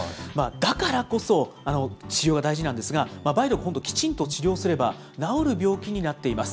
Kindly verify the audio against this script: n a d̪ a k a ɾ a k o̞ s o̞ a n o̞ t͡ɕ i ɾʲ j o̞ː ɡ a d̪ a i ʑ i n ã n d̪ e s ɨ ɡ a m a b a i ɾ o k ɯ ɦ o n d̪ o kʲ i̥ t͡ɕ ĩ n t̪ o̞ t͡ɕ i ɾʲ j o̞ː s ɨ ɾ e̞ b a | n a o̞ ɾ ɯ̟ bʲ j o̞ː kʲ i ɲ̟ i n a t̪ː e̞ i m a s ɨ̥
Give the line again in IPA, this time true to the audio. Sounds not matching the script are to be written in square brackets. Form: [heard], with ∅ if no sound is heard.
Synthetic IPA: [m] a d̪ a k a ɾ a k o̞ s o̞ a n o̞ t͡ɕ i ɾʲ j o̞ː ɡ a d̪ a i ʑ i n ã n d̪ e s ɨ ɡ a m a b a i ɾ o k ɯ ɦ o n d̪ o kʲ i̥ t͡ɕ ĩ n t̪ o̞ t͡ɕ i ɾʲ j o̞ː s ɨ ɾ e̞ b a | n a o̞ ɾ ɯ̟ bʲ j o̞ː kʲ i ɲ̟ i n a t̪ː e̞ i m a s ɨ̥